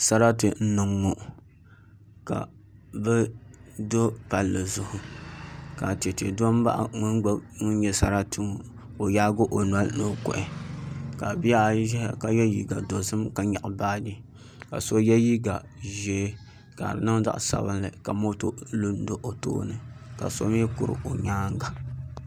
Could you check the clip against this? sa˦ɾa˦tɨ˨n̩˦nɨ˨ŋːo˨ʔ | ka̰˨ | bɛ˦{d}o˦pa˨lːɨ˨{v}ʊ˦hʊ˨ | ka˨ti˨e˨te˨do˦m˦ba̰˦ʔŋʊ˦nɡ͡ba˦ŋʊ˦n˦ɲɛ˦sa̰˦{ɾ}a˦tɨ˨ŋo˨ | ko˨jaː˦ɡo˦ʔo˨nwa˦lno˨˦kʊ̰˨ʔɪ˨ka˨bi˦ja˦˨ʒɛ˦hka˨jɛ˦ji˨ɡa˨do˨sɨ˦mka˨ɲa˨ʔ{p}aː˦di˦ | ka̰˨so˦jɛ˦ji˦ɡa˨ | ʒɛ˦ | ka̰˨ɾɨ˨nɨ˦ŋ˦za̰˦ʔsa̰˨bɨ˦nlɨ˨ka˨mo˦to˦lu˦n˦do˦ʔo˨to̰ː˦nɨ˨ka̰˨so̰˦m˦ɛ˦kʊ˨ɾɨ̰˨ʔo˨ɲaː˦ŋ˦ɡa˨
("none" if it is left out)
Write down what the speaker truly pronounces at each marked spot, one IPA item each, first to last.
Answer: d, z, ɾ, b

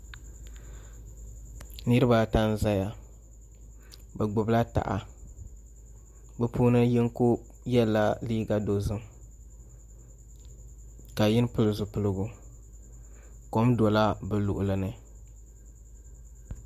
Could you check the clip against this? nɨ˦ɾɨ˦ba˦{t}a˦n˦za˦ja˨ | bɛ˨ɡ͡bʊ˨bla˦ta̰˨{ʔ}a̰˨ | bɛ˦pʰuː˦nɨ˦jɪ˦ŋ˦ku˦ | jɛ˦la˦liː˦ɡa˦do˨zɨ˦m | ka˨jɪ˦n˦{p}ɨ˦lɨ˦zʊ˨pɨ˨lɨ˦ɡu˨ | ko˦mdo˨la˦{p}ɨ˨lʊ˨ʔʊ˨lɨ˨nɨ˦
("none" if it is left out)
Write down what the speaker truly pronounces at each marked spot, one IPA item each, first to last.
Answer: t, ʔ, p, b

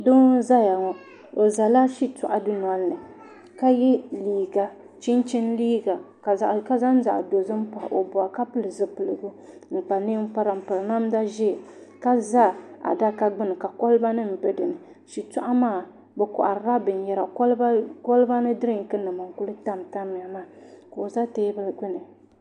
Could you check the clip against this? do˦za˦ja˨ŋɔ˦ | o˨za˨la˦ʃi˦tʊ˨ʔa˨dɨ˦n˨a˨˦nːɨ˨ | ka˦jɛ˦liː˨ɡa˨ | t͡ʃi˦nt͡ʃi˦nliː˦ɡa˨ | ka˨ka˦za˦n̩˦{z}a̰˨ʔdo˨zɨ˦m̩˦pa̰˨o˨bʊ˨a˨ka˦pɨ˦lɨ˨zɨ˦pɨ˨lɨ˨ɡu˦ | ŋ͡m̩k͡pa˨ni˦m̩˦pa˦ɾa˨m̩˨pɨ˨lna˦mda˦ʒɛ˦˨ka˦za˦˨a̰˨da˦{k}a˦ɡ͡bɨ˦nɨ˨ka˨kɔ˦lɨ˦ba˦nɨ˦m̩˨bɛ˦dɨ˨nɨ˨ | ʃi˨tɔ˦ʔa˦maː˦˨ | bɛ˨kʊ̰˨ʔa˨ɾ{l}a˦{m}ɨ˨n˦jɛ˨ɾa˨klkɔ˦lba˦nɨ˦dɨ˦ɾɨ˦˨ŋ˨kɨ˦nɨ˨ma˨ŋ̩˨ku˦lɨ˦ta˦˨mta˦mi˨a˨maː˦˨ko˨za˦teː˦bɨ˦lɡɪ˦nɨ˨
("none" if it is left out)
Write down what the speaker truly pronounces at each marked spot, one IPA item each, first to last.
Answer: z, k, ɾ, b

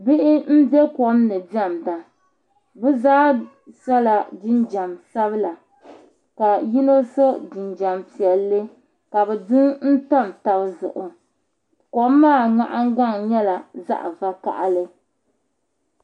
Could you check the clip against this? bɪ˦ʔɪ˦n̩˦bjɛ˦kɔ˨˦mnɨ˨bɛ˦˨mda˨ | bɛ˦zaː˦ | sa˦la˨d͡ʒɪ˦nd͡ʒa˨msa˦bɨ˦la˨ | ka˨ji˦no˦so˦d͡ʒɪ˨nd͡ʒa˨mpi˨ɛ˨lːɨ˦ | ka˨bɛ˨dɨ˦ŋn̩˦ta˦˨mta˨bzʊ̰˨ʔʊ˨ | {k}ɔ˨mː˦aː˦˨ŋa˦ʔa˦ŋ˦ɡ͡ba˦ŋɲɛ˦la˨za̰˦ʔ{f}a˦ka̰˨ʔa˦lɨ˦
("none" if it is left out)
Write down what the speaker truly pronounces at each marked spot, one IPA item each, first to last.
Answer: k, v

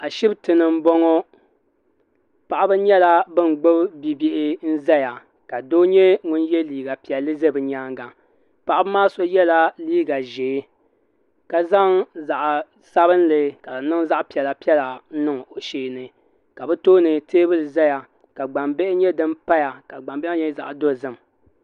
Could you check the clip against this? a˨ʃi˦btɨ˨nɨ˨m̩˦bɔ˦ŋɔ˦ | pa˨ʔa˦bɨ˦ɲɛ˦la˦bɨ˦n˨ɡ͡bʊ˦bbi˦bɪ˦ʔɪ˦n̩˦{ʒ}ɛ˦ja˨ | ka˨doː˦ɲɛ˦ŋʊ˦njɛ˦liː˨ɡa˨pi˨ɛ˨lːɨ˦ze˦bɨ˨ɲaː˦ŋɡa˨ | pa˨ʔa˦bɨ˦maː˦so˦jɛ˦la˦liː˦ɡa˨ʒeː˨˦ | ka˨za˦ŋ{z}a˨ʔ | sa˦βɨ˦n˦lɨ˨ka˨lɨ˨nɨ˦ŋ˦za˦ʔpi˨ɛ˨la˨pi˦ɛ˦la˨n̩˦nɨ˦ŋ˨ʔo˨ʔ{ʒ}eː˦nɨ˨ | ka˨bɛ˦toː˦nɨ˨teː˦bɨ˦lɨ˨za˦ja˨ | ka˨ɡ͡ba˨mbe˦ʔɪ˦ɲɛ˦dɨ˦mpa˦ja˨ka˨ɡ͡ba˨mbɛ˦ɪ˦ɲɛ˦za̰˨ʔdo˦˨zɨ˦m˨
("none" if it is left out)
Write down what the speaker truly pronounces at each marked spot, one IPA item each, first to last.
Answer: z, z, ʃ

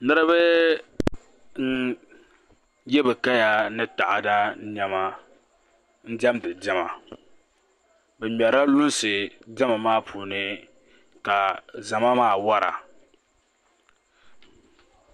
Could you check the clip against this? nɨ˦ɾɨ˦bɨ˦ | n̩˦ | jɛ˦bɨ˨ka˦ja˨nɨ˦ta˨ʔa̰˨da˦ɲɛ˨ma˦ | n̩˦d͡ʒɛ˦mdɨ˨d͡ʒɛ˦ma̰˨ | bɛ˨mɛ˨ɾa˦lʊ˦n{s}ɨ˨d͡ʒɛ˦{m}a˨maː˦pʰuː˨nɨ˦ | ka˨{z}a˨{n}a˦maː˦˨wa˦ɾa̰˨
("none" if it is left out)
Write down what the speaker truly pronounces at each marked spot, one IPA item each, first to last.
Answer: s, m, z, m

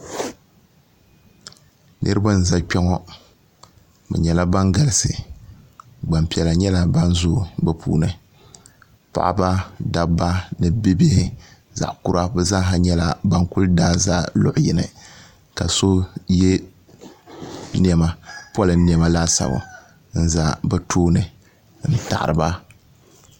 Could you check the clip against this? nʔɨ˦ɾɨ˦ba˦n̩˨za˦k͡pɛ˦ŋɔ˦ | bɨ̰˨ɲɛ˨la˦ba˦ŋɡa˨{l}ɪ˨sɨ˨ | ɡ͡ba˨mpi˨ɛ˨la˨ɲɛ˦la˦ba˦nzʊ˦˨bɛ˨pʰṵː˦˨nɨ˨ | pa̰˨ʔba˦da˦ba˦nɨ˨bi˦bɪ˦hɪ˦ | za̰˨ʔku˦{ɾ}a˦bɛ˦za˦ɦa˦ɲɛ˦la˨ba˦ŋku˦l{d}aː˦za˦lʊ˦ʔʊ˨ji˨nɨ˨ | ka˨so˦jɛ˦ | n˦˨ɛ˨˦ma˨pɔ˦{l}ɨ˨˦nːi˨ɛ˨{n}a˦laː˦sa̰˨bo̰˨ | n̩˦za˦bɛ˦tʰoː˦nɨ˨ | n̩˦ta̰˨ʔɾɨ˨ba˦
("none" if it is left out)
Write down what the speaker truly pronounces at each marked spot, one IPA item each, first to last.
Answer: l, ɾ, d, l, m

